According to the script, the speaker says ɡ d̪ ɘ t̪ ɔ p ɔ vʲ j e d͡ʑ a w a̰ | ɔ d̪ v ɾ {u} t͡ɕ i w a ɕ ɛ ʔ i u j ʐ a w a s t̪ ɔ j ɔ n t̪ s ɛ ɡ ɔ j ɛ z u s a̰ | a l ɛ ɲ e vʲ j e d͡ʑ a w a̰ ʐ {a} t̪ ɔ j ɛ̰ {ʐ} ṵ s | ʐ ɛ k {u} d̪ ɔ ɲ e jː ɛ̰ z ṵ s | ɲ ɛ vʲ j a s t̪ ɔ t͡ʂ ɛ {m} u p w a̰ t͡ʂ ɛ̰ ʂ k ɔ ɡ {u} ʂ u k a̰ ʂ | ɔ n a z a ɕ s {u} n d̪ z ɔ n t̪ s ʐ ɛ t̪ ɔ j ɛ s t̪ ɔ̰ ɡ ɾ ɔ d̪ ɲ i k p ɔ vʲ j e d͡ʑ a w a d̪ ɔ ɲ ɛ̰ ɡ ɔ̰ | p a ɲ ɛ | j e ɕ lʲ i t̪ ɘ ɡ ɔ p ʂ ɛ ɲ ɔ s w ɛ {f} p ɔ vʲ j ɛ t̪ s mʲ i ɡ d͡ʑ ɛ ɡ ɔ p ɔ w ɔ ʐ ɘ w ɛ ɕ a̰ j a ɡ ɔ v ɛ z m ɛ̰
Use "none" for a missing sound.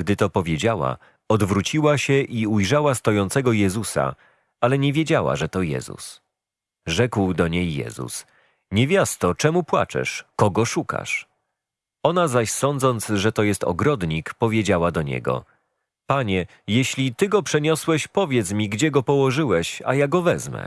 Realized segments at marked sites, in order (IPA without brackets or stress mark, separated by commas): u, ɛ, z, w, m, ɔ, ɔ, ɕ